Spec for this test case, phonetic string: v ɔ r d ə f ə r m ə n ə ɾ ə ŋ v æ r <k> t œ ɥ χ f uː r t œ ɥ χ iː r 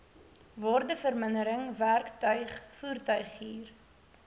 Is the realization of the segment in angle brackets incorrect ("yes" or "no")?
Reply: no